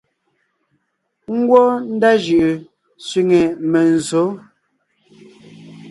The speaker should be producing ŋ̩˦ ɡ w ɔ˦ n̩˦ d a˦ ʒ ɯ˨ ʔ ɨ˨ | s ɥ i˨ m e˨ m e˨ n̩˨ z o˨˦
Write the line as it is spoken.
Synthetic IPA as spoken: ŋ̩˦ ɡ w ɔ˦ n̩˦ d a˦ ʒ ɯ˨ ʔ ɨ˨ | s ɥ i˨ ŋ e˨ m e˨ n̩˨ z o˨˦